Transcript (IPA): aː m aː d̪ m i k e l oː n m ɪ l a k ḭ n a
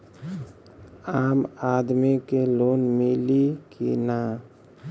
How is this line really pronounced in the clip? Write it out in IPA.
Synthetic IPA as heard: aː m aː d̪ m i k e l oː n m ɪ l i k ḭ n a

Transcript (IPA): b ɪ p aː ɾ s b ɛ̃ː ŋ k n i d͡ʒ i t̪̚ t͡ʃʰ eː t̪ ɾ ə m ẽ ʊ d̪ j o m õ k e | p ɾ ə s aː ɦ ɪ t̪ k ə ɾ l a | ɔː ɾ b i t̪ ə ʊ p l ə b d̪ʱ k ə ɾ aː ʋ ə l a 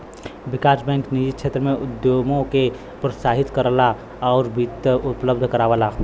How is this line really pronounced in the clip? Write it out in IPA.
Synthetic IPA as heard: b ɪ k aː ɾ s b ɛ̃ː ŋ k n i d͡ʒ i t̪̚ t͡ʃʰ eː t̪ ɾ ə m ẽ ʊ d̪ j o m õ k e | p ɾ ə s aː ɦ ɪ t̪ k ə ɾ l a | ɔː ɾ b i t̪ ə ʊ p l ə b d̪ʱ k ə ɾ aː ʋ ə l a

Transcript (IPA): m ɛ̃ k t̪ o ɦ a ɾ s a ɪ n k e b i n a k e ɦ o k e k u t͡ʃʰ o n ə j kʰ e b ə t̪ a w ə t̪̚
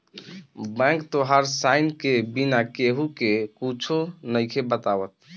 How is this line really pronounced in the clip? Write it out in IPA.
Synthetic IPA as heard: b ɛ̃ k t̪ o ɦ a ɾ s a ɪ n k e b i n a k e ɦ u k e k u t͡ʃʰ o n ə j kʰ e b ə t̪ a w ə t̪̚

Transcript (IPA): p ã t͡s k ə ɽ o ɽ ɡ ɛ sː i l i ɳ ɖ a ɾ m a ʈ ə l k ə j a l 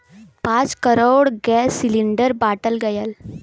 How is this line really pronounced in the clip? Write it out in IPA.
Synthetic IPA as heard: p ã t͡s k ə ɾ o ɽ ɡ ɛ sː i l i ɳ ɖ ə ɾ b a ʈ ə l ɡ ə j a l

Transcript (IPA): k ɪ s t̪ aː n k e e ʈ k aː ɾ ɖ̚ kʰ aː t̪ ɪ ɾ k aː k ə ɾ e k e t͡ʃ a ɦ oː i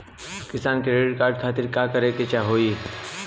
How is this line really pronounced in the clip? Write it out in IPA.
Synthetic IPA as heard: k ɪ s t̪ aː n k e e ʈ k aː ɾ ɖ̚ kʰ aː t̪ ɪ ɾ k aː k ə ɾ e k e t͡ʃ a ɦ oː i

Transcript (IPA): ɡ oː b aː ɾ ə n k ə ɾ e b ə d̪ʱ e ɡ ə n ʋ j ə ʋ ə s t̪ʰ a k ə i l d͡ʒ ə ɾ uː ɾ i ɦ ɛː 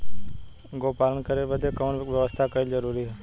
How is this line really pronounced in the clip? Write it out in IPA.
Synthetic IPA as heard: ɡ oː p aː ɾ ə n k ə ɾ e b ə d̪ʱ e k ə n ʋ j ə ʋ ə s t̪ʰ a k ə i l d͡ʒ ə ɾ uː ɾ i ɦ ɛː

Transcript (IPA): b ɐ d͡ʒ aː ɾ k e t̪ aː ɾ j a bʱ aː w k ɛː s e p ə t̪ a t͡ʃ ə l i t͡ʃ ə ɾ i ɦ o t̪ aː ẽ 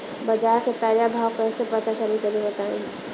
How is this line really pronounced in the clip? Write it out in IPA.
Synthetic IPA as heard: b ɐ d͡ʒ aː ɾ k e t̪ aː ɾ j a bʱ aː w k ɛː s e p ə t̪ a t͡ʃ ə l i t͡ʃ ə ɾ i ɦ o t̪ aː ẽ

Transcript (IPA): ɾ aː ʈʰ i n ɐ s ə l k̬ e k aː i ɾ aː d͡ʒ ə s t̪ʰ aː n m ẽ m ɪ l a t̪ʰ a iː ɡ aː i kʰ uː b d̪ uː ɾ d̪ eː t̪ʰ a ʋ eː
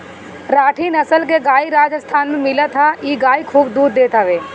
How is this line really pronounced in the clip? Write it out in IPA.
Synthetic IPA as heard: ɾ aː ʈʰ i n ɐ s ə l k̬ e ɡ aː i ɾ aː d͡ʒ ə s t̪ʰ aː n m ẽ m ɪ l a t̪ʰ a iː ɡ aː i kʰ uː b d̪ uː ɾ d̪ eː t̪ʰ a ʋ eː

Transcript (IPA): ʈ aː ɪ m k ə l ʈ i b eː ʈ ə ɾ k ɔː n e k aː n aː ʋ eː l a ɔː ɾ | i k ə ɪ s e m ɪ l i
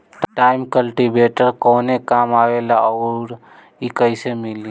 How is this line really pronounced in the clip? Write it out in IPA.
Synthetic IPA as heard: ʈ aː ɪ m k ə l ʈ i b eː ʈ ə ɾ k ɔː n e k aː m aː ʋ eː l a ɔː ɾ | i k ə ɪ s e m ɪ l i

